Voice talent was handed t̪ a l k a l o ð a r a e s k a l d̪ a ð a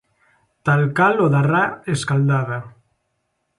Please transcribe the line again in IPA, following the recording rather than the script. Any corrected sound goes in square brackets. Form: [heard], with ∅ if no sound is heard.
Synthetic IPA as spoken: t̪ a l k a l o ð a r a e s k a l d̪ a ð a